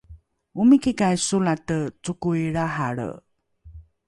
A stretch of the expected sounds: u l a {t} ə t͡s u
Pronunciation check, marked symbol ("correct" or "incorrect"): correct